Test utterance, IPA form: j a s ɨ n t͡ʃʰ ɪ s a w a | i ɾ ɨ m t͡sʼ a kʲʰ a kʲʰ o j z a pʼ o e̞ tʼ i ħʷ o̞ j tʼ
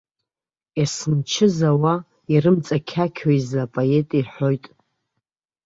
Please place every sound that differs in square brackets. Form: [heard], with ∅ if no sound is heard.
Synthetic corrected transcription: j a s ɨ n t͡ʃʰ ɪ [z] a w a | i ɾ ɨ m t͡sʼ a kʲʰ a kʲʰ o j z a pʼ o e̞ tʼ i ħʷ o̞ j tʼ